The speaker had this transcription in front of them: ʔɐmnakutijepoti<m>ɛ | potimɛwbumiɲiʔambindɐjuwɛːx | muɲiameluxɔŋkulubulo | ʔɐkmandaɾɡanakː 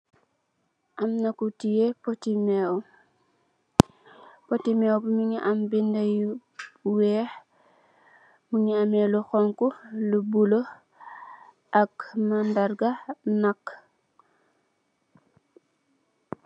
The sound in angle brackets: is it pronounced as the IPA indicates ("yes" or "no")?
yes